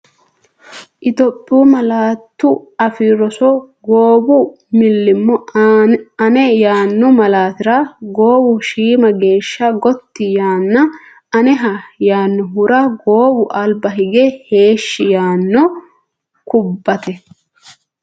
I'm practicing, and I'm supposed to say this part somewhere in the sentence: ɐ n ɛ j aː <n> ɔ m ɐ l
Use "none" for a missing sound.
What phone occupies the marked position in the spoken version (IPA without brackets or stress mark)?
nː